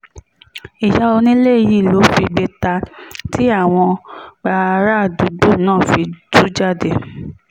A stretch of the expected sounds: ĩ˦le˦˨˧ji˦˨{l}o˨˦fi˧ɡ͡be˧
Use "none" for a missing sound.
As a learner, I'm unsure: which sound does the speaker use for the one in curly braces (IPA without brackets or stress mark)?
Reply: l